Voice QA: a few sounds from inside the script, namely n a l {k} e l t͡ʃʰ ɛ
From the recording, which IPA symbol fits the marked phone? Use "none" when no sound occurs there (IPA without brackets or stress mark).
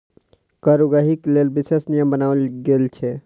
ɡ